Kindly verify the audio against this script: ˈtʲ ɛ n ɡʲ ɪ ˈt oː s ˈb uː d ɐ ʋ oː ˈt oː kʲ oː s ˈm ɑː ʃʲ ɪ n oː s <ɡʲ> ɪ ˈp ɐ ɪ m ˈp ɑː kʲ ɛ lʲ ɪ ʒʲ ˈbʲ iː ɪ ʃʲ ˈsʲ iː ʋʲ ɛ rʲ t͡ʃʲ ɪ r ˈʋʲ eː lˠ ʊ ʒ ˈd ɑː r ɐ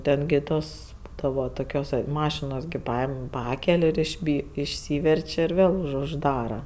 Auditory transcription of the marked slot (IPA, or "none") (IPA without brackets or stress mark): ɡʲ